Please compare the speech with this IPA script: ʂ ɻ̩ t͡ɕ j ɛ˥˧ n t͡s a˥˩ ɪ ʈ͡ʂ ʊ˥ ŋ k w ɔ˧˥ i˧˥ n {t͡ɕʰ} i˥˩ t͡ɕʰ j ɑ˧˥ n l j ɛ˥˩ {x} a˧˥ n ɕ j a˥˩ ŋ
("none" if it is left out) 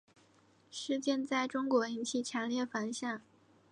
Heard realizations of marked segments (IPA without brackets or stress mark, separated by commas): t͡ɕʰ, f